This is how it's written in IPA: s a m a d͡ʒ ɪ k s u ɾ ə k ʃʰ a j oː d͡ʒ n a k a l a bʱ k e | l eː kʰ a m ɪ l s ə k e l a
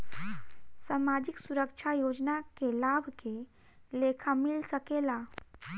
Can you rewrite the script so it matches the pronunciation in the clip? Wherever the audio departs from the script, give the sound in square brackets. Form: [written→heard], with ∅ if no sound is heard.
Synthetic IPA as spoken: s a m a d͡ʒ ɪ k s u ɾ ə k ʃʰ a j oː d͡ʒ n a k [a→e] l a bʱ k e | l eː kʰ a m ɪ l s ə k e l a